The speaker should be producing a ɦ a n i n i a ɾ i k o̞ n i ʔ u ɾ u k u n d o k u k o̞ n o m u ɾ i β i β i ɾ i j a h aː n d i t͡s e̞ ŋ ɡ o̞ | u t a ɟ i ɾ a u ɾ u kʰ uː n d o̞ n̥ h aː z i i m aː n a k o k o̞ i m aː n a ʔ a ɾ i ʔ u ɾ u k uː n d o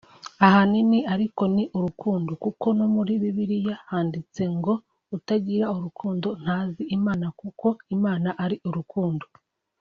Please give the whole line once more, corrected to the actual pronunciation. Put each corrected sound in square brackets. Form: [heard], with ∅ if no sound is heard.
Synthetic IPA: a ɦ a n i n i a ɾ i k o̞ n i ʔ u ɾ u k [uː] n d o k u k o̞ n o m u ɾ i β i β i ɾ i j a h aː n d i t͡s e̞ ŋ ɡ o̞ | u t a ɟ i ɾ a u ɾ u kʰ uː n d o̞ n̥ h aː z i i m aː n a k [u] k o̞ i m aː n a ʔ a ɾ i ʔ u ɾ u k uː n d o

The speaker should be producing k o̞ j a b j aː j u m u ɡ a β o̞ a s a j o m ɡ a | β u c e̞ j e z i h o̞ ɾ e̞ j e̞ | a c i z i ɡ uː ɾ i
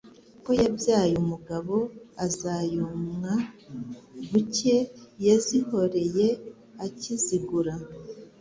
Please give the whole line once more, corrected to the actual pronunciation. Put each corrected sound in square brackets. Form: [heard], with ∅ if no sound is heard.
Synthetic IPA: k o̞ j a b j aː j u m u ɡ a β o̞ a [z] a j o m [ŋ] a | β u c e̞ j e z i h o̞ ɾ e̞ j e̞ | a c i z i ɡ [u] ɾ [a]

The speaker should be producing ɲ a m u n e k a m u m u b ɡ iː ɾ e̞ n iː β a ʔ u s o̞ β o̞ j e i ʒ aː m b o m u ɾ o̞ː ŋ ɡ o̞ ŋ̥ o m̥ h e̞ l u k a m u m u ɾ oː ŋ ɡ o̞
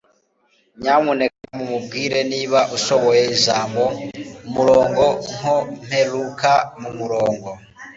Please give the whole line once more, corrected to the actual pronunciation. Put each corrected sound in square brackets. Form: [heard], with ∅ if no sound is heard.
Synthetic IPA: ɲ a m u n e k a m u m u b ɡ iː ɾ e̞ n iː β a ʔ u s o̞ β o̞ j e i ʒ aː m b o m u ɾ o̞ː ŋ ɡ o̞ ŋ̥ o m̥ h e̞ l u k a m u m u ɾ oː ŋ ɡ o̞

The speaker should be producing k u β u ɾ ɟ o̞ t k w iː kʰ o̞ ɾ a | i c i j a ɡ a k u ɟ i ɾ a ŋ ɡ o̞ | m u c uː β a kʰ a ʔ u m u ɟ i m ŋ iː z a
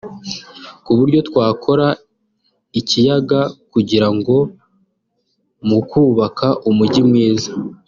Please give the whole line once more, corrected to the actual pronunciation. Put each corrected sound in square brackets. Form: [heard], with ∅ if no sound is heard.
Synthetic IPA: k u β u ɾ ɟ o̞ t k w [aː] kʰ o̞ ɾ a | i c i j a ɡ a k u ɟ i ɾ a ŋ ɡ o̞ | m u [k] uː β a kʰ a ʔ u m u ɟ i m ŋ iː z a

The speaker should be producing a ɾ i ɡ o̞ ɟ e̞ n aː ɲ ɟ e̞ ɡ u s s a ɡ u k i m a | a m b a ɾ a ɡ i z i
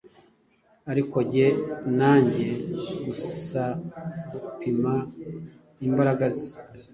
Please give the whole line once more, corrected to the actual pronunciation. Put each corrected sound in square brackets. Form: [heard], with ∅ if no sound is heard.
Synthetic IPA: a ɾ i [k] o̞ ɟ e̞ n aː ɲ ɟ e̞ ɡ u s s a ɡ u [p] i m a | [i] m b a ɾ a ɡ [a] z i

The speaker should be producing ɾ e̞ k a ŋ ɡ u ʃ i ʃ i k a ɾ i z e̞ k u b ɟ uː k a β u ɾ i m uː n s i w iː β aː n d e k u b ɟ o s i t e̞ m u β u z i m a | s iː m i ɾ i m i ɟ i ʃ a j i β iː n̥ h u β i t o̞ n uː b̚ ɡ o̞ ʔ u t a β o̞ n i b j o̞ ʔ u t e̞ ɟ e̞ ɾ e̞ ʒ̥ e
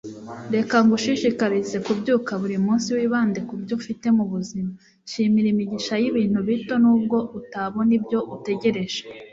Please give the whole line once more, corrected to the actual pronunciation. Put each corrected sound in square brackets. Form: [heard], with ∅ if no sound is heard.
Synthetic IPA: ɾ e̞ k a ŋ ɡ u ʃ i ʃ i k a ɾ i z e̞ k u b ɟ uː k a β u ɾ i m uː n s i w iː β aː n d e k u b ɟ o [f] i t e̞ m u β u z i m a | [ʃ] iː m i ɾ i m i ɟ i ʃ a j i β iː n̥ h u β i t o̞ n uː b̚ ɡ o̞ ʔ u t a β o̞ n i b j o̞ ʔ u t e̞ ɟ e̞ ɾ e̞ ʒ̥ e

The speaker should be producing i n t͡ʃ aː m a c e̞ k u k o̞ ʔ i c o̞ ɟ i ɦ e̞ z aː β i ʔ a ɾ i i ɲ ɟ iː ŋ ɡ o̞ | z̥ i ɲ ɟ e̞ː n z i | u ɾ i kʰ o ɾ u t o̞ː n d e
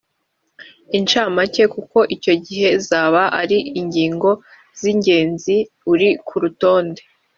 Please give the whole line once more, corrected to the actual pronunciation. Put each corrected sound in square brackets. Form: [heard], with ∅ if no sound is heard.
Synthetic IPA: i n t͡ʃ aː m a c e̞ k u k o̞ ʔ i c o̞ ɟ i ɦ e̞ z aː β [a] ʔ a ɾ i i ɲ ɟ iː ŋ ɡ o̞ | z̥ i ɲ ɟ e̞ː n z i | u ɾ i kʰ [u] ɾ u t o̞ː n d e

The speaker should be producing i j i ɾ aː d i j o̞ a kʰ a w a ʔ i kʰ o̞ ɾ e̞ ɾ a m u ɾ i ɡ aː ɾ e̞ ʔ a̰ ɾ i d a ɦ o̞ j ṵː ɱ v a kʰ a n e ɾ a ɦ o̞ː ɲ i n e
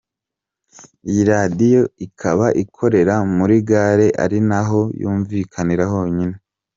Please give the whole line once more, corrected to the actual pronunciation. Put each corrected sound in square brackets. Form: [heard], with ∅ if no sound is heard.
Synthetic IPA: i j i ɾ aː d i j o̞ [i] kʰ a [β] a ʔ i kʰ o̞ ɾ e̞ ɾ a m u ɾ i ɡ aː ɾ e̞ ʔ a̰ ɾ i [n] a ɦ o̞ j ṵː ɱ v [i] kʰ a n [i] ɾ a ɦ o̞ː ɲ i n e

